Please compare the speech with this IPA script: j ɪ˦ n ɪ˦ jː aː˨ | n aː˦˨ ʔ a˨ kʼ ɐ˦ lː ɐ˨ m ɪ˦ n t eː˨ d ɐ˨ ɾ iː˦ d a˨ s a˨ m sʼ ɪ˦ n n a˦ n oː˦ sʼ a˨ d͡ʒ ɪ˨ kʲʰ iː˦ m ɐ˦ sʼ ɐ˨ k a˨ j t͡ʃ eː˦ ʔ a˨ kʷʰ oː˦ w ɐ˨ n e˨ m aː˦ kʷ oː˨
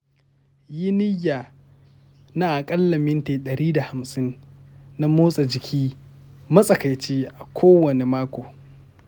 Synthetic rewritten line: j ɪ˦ n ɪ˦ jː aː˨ | n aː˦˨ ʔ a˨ kʼ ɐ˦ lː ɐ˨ m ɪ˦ n t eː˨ ɗ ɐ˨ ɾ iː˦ d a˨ h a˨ m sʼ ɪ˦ n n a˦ m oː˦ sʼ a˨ d͡ʒ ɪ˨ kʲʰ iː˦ m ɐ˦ sʼ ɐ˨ k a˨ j t͡ʃ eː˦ ʔ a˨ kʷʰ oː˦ w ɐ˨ n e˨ m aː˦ kʷ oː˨